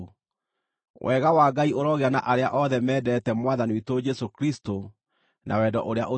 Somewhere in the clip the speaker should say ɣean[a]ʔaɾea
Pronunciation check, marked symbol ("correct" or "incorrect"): correct